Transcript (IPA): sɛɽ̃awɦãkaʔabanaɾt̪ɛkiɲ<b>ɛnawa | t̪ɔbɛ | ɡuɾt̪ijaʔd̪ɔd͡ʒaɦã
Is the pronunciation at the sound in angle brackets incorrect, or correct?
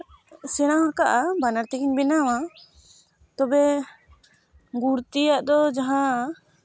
correct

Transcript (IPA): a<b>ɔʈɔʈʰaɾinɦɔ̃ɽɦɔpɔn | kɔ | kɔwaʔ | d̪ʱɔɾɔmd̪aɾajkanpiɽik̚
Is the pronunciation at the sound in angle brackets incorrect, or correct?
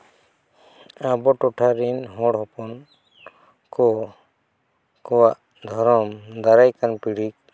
correct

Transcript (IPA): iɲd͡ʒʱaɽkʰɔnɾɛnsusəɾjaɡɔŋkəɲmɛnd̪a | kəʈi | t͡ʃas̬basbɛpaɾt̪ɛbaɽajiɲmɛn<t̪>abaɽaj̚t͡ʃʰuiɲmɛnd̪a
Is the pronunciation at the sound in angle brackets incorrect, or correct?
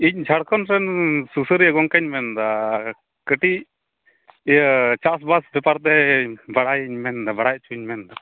incorrect: d̪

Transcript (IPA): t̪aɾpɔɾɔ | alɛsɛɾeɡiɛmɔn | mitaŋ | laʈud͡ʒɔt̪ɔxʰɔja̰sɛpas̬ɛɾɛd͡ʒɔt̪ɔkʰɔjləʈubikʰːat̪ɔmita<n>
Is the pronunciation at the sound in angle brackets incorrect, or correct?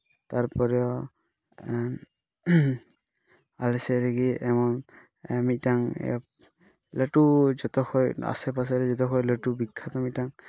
incorrect: ŋ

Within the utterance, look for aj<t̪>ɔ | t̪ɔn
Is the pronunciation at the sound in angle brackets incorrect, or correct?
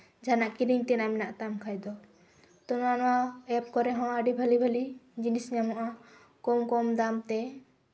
incorrect: d̪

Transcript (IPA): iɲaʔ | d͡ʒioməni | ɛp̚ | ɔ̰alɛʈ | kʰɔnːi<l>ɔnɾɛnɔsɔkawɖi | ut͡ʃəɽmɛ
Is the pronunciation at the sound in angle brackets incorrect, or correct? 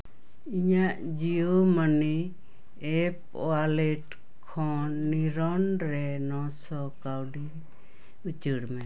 incorrect: ɾ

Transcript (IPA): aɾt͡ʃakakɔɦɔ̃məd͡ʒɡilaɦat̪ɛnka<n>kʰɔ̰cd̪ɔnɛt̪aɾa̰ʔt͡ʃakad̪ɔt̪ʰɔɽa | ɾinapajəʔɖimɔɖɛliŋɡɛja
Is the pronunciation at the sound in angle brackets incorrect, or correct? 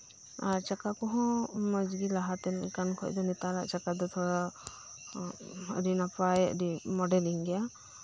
correct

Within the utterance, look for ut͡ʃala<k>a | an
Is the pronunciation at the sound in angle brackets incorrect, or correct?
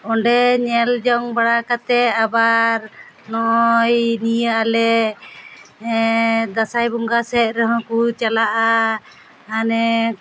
incorrect: ʔ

